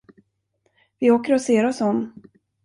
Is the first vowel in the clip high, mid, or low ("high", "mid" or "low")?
high